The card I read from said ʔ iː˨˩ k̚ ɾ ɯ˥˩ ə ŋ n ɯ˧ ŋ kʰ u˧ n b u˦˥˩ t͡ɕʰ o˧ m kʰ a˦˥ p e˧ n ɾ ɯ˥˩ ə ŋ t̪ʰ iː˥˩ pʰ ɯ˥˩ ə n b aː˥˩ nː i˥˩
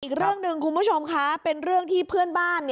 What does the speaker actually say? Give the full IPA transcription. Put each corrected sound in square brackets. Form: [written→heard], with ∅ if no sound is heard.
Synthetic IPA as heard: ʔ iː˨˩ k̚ ɾ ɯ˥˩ ə ŋ n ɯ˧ ŋ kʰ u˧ n b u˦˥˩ t͡ɕʰ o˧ m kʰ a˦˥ p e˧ n ɾ ɯ˥˩ ə ŋ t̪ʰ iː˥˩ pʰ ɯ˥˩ ə n b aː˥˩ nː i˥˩